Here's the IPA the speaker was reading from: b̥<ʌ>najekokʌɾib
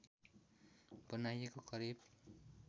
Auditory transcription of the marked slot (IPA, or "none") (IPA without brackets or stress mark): ʌ